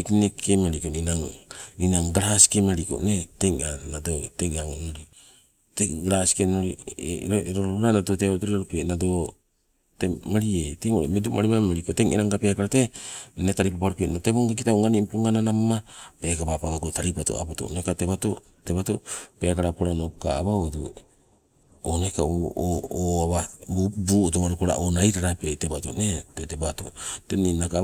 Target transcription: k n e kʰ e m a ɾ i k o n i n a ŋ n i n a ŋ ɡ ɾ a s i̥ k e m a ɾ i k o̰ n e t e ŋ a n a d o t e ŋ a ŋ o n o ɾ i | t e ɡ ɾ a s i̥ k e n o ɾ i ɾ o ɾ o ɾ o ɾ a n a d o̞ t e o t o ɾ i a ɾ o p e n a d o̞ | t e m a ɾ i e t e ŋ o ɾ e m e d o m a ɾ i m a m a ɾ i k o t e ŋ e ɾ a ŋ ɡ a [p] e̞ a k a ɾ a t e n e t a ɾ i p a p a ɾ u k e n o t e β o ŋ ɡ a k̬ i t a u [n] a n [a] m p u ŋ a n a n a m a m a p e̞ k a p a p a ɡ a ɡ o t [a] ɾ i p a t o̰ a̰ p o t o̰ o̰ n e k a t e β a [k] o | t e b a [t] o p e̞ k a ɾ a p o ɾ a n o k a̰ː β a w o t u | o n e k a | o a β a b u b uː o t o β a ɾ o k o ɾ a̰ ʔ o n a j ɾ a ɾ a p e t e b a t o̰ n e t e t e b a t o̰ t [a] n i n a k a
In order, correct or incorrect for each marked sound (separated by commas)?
correct, incorrect, incorrect, correct, incorrect, correct, incorrect